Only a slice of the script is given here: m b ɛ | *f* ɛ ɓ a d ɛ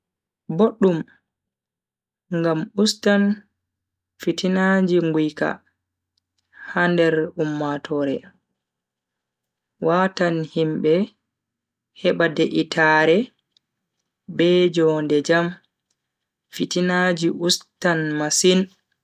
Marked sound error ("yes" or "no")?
yes